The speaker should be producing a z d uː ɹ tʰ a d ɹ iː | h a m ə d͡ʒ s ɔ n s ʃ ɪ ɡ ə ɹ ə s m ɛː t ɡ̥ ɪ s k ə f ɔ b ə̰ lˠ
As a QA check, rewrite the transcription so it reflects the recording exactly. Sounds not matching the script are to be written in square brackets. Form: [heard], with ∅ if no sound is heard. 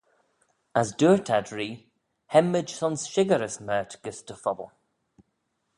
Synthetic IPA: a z d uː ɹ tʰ a d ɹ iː | h [ɛ] m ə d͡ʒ s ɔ n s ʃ ɪ ɡ ə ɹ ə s m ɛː t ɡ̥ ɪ s [t] ə f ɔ b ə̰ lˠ